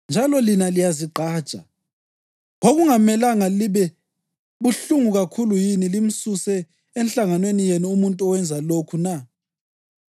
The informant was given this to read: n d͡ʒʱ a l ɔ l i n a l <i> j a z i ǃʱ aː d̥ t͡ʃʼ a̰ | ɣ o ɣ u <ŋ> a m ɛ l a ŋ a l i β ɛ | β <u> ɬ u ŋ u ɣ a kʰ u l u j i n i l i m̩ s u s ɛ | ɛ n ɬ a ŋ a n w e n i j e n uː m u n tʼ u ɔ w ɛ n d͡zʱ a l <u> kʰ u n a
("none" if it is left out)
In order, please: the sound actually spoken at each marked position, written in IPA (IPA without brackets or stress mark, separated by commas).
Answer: i, ŋ, u, o